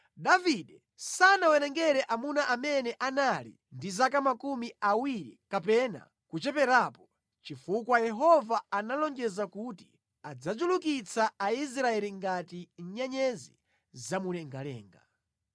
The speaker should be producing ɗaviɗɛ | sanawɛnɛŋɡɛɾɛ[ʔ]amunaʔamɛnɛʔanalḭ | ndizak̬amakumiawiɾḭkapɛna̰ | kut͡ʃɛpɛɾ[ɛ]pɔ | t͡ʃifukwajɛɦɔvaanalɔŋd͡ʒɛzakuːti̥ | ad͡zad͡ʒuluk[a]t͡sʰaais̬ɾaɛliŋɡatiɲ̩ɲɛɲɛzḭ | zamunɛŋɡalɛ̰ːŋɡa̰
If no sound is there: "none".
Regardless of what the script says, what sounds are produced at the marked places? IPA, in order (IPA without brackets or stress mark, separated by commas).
ʔ, a, i